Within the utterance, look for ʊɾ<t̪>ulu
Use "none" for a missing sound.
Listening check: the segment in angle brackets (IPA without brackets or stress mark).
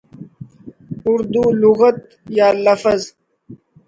d̪